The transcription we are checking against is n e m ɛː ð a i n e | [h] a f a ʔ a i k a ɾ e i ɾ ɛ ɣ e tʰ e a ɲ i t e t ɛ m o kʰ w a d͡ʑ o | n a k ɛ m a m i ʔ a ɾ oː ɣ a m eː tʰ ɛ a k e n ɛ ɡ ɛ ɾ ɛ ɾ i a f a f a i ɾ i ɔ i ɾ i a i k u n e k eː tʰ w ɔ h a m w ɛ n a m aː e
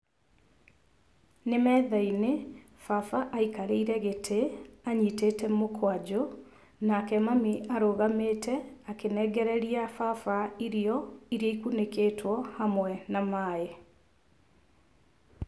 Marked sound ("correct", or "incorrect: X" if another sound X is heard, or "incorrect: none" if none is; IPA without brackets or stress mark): incorrect: f